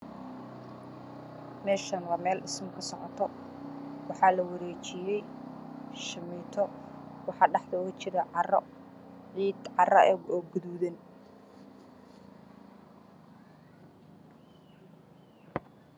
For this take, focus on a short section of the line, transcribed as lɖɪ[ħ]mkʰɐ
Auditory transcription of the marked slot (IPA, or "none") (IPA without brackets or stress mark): s